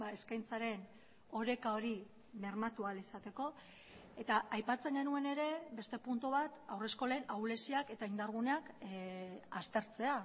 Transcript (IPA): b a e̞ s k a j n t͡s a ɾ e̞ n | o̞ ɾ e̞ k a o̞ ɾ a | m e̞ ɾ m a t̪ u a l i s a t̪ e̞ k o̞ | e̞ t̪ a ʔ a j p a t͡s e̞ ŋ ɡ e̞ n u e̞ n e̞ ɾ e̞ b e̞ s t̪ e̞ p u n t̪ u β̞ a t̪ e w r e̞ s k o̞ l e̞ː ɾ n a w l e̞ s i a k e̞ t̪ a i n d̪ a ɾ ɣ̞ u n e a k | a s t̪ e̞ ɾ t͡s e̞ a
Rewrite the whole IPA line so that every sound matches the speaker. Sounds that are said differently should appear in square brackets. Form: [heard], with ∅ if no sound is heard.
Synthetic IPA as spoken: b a e̞ s k a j n t͡s a ɾ e̞ n | o̞ ɾ e̞ k a o̞ ɾ [i] | m e̞ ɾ m a t̪ u a l i s a t̪ e̞ k o̞ | e̞ t̪ a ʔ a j p a t͡s e̞ ŋ ɡ e̞ n u e̞ n e̞ ɾ e̞ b e̞ s t̪ e̞ p u n t̪ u β̞ a t̪ [a] w r e̞ s k o̞ l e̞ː [∅] n a w l e̞ s i a k e̞ t̪ a i n d̪ a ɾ ɣ̞ u n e a k | a s t̪ e̞ ɾ t͡s e̞ a

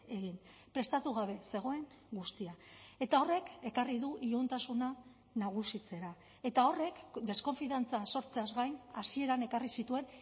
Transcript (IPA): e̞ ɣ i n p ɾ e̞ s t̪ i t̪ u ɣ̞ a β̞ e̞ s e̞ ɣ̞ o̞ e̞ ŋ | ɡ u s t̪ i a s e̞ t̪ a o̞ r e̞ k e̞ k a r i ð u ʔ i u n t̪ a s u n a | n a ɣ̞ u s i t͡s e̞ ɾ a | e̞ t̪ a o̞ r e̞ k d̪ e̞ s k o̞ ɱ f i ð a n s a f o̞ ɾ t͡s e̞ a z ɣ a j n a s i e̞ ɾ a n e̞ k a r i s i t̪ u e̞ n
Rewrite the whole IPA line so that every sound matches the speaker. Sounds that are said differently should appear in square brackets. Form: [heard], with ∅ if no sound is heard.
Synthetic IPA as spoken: e̞ ɣ i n p ɾ e̞ s t̪ [a] t̪ u ɣ̞ a β̞ e̞ s e̞ ɣ̞ o̞ e̞ ŋ | ɡ u s t̪ i a [∅] e̞ t̪ a o̞ r e̞ k e̞ k a r i ð u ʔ i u n t̪ a s u n a | n a ɣ̞ u s i t͡s e̞ ɾ a | e̞ t̪ a o̞ r e̞ k d̪ e̞ s k o̞ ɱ f i ð a n [t͡s] a [s] o̞ ɾ t͡s e̞ a z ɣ a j n a s i e̞ ɾ a n e̞ k a r i s i t̪ u e̞ n

